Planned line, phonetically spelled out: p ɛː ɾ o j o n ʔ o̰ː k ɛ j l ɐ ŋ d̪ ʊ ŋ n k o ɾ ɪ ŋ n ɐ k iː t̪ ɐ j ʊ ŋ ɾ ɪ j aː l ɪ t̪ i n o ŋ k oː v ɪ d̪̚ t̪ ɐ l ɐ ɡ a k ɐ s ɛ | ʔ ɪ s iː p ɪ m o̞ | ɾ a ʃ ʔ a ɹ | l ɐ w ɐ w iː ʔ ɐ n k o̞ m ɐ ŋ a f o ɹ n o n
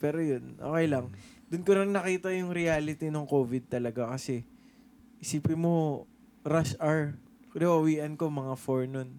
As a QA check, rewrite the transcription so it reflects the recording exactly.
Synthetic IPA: p ɛː ɾ o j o n ʔ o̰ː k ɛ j l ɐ ŋ d̪ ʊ n k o ɾ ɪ ŋ n ɐ k iː t̪ ɐ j ʊ ŋ ɾ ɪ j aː l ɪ t̪ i n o ŋ k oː v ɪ d̪̚ t̪ ɐ l ɐ ɡ a k ɐ s ɛ | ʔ ɪ s iː p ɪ m o̞ | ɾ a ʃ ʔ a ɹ | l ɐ w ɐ w iː ʔ ɐ n k o̞ m ɐ ŋ a f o ɹ n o n